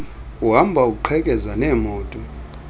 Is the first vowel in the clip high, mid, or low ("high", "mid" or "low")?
high